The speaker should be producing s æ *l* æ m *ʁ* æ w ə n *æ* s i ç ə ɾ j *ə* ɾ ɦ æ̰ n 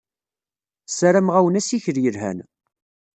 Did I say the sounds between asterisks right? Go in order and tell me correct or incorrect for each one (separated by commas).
incorrect, correct, correct, correct